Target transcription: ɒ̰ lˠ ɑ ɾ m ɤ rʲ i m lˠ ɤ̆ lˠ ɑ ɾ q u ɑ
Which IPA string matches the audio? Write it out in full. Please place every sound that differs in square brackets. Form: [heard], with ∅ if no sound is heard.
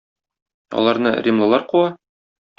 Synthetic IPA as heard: ɒ̰ lˠ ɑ ɾ [n] ɤ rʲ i m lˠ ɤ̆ lˠ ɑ ɾ q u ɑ